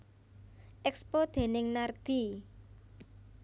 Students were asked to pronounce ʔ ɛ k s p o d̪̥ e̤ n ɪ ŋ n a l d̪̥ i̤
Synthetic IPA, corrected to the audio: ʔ ɛ k s p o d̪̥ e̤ n ɪ ŋ n a r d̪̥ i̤